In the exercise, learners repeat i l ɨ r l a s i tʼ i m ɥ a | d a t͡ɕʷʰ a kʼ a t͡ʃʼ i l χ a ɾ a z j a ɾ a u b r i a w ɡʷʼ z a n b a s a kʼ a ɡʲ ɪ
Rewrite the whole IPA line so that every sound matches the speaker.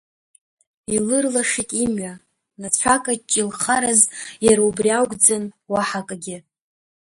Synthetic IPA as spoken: i l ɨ r l a ʂ i tʼ i m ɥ a | n a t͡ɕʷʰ a kʼ a t͡ʃʼ i l χ a ɾ a z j a ɾ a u b r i a w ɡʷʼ d͡z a n w a ħ a kʼ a ɡʲ ɪ